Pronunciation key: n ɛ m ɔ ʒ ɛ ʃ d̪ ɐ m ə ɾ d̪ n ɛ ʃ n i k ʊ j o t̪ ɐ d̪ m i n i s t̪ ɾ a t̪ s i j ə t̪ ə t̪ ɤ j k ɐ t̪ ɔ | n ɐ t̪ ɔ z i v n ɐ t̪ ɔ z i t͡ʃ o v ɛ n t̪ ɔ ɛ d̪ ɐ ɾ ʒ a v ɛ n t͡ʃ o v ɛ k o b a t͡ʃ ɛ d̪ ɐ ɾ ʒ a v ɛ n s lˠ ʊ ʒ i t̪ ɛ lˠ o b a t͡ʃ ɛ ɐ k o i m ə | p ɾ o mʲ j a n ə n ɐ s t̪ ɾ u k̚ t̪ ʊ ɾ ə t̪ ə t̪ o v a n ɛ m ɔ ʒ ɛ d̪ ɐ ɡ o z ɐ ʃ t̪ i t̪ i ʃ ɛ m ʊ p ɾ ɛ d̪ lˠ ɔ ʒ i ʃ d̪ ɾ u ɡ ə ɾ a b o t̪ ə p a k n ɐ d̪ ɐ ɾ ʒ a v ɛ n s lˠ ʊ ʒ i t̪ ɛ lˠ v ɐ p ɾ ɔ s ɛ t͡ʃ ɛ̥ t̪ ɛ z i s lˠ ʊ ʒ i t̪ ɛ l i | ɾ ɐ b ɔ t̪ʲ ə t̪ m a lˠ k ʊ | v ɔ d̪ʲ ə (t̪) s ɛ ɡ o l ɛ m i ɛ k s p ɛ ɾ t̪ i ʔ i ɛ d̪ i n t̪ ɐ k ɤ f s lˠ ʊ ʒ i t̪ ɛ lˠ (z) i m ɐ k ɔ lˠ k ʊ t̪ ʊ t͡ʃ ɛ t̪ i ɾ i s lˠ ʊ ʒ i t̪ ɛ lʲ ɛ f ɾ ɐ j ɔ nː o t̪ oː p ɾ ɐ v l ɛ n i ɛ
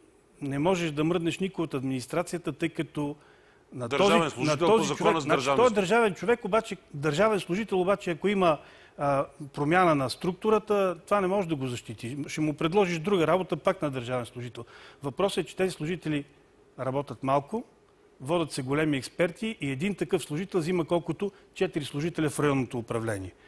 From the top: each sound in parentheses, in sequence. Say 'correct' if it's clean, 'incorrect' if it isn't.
correct, correct

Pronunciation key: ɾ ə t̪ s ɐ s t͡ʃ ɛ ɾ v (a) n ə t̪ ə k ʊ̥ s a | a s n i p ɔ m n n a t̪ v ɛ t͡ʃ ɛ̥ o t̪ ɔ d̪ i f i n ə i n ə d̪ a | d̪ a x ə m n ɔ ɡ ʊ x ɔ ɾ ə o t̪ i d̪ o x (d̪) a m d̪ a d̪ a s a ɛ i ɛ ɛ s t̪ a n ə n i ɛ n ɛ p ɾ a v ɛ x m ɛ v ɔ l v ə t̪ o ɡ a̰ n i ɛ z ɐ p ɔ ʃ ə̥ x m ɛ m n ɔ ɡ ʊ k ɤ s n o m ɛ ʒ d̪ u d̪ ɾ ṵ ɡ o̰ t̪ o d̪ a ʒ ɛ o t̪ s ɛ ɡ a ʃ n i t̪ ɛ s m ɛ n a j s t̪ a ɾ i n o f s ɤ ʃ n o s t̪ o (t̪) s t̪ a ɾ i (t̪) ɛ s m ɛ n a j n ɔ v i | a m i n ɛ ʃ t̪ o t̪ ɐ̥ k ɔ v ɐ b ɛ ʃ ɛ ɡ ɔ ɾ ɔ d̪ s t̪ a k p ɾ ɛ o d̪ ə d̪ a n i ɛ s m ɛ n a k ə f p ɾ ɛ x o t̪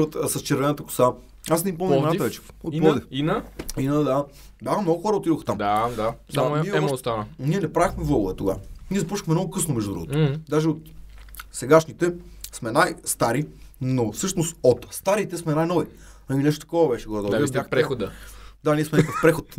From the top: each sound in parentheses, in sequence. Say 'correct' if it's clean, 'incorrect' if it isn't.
incorrect: ɛ, incorrect: t̪, correct, correct

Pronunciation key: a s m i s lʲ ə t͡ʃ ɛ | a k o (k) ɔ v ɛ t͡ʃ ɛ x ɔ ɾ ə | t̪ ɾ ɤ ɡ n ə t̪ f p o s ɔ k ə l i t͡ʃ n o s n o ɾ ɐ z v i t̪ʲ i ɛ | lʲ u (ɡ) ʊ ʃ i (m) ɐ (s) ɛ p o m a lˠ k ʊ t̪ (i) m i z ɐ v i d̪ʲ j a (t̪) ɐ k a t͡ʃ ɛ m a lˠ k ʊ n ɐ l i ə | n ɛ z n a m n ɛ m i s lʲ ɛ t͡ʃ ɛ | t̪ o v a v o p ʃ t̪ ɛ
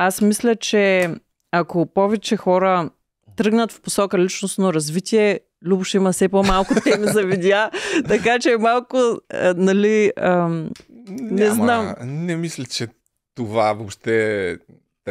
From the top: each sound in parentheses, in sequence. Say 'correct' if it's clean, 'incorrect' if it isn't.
incorrect: p, incorrect: b, correct, correct, incorrect: ɛ, correct

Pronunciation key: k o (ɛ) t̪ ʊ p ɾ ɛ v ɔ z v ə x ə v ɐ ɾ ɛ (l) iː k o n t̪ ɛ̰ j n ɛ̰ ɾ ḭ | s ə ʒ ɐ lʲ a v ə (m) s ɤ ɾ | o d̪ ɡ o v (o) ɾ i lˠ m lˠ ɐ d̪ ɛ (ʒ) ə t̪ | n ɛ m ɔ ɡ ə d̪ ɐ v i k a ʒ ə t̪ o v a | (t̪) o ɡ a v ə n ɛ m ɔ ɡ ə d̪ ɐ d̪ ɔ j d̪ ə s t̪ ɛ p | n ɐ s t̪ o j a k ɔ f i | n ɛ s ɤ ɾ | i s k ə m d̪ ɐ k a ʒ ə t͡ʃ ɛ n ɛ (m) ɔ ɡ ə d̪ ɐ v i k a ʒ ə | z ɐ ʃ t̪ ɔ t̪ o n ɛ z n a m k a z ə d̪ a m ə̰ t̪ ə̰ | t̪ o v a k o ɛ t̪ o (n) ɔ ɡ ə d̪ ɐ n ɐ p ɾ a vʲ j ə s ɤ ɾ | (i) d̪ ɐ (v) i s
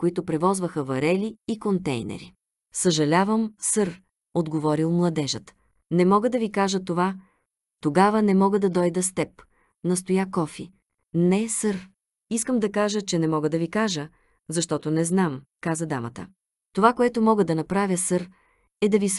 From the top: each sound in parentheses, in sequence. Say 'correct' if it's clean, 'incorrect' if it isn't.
incorrect: i, correct, correct, incorrect: ɔ, correct, correct, correct, incorrect: m, incorrect: ɛ, correct

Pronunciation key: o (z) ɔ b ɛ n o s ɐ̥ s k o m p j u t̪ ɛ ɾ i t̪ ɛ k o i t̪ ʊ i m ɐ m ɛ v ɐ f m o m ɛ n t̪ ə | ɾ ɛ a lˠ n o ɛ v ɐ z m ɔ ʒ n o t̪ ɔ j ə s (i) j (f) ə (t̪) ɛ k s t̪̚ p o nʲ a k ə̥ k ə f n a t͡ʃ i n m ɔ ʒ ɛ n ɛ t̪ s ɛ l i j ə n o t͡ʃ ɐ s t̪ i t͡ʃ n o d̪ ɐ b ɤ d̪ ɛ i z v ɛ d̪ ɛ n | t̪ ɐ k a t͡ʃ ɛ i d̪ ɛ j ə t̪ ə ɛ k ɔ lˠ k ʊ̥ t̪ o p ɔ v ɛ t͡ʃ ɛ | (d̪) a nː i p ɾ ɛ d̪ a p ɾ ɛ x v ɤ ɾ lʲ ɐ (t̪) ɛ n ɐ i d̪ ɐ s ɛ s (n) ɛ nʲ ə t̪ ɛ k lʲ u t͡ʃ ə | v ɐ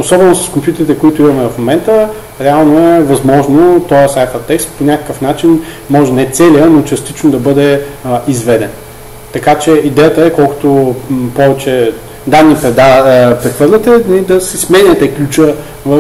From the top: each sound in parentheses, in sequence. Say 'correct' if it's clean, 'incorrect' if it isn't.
incorrect: s, incorrect: a, correct, correct, correct, correct, incorrect: m

